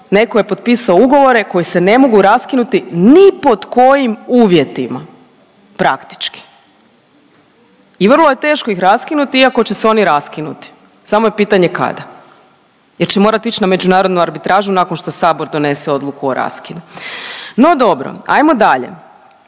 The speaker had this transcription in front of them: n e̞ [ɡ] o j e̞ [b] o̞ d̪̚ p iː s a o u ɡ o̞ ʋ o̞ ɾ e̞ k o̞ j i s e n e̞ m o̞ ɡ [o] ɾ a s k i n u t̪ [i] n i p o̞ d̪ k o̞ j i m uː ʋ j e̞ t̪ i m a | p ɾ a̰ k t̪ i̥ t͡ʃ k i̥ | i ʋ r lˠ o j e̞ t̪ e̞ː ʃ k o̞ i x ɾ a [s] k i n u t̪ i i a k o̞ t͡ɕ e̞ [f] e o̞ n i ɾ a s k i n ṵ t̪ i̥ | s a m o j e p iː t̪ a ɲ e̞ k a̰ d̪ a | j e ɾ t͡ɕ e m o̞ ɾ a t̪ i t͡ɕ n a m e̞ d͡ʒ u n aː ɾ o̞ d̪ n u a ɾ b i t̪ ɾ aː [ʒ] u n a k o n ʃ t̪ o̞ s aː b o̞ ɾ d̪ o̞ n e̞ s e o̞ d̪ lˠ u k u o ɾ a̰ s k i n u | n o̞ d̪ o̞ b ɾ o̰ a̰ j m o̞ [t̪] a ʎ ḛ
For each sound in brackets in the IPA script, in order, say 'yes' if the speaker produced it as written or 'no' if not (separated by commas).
no, no, no, yes, yes, no, yes, no